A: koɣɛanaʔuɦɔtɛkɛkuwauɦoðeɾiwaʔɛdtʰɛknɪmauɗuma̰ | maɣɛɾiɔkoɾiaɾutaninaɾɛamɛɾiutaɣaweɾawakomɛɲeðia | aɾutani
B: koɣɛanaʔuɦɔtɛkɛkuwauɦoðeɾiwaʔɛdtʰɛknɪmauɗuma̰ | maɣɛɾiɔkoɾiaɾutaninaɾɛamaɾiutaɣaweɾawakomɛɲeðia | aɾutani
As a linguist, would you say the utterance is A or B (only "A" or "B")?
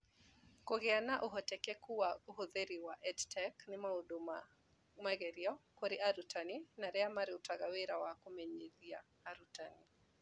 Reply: B